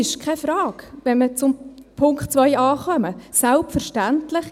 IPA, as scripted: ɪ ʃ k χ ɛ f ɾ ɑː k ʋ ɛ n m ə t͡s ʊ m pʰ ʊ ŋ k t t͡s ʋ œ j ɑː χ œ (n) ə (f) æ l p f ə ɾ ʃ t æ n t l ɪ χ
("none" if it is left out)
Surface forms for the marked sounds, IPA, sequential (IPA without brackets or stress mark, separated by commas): m, s